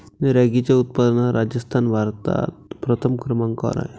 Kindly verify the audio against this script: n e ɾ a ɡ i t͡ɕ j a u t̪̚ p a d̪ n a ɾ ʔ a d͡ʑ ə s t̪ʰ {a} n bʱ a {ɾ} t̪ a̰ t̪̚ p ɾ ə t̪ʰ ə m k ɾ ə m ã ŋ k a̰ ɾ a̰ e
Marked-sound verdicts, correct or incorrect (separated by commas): correct, correct